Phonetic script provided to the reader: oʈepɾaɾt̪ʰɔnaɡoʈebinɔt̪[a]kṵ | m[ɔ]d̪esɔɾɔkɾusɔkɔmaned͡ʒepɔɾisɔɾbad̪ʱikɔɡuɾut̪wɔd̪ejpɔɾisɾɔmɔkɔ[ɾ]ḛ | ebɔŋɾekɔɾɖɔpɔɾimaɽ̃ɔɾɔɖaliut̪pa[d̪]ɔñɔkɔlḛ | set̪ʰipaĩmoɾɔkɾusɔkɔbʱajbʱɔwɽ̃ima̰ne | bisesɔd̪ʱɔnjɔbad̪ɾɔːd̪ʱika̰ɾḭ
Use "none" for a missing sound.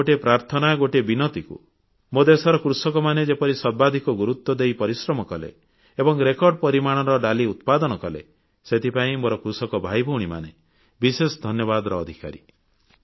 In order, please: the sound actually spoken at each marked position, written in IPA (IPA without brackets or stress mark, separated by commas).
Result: i, o, l, d̪